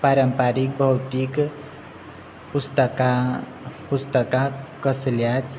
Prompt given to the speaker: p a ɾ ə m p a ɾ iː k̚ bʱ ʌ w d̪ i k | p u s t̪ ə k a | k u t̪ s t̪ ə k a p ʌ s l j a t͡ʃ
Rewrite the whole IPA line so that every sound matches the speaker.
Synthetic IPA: p a ɾ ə m p a ɾ i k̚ bʱ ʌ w t̪ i k | p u s t̪ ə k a | p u s t̪ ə k a k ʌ s l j a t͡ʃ